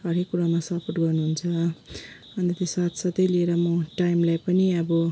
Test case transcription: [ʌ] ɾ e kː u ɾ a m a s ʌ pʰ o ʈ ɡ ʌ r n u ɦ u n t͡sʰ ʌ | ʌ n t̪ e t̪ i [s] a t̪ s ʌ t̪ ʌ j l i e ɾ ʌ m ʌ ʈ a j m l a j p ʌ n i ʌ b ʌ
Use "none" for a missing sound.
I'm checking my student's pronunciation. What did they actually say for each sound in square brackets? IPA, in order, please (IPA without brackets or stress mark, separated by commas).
ʌ, s